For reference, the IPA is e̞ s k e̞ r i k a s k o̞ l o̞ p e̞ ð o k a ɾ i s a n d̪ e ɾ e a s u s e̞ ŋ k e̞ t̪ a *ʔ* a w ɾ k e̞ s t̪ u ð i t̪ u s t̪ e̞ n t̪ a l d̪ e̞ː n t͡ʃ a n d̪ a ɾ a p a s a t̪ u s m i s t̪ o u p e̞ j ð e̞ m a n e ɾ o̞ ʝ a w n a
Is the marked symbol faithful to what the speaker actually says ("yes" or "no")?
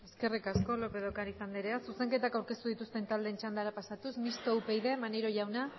no